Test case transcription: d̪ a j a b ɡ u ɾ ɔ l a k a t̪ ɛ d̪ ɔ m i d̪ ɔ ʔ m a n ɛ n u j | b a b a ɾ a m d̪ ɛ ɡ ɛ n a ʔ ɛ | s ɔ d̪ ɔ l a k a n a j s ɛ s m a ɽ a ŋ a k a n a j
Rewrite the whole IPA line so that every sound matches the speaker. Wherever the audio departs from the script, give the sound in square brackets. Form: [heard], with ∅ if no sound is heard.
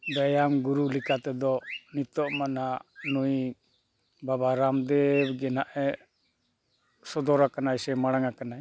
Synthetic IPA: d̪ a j a [m] ɡ u ɾ [u] l [i] k a t̪ ɛ d̪ ɔ [n] i [t̪] ɔ ʔ m a n [a] n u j | b a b a ɾ a m d̪ ɛ ɡ ɛ n a ʔ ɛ | s ɔ d̪ ɔ [ɾ] a k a n a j s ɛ [∅] m a ɽ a ŋ a k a n a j